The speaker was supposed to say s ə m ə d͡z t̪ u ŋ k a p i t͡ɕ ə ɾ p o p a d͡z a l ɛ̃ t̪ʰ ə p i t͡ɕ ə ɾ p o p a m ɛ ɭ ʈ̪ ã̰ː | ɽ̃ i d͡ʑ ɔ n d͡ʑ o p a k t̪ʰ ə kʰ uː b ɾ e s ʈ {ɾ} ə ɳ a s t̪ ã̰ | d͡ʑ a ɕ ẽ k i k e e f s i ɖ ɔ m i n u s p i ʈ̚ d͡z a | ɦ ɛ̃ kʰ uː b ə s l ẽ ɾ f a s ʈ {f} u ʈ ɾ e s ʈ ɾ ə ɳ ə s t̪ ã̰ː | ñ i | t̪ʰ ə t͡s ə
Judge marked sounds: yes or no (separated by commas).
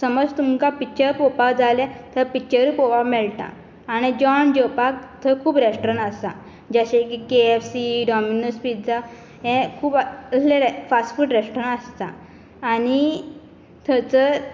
yes, yes